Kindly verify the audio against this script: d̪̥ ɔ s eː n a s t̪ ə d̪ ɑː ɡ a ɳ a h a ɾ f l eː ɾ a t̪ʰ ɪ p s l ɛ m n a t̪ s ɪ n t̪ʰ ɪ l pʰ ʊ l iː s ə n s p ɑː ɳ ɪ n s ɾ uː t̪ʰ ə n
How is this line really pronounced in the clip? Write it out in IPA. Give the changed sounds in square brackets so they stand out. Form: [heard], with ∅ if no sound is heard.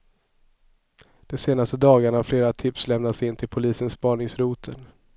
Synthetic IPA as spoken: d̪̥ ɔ s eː n a s t̪ ə d̪ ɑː ɡ a ɳ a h a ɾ f l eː ɾ a t̪ʰ ɪ p s l ɛ m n a t̪ s ɪ n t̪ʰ ɪ l pʰ ʊ l iː s ə n s p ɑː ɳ ɪ [ŋ] s ɾ uː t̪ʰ ə n